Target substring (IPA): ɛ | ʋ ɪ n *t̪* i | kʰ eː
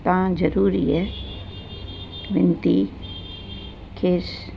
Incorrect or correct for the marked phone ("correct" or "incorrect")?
correct